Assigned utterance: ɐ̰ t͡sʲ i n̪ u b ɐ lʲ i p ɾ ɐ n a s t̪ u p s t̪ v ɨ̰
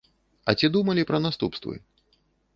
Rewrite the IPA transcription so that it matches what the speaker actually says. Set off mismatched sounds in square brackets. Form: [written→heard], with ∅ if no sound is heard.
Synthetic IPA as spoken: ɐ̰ t͡sʲ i [n̪→d̪] u [b→m] ɐ lʲ i p ɾ ɐ n a s t̪ u p s t̪ v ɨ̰